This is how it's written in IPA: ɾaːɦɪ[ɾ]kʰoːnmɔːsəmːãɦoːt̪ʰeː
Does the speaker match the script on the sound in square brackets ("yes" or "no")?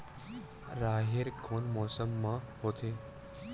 yes